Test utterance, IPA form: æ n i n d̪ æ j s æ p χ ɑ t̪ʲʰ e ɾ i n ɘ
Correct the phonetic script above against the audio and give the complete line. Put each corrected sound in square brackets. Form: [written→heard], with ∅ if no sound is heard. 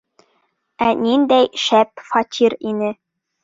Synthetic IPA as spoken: æ n i n d̪ æ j [s→ʃ] æ p [χ→f] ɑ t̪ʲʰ [e→i] ɾ i n ɘ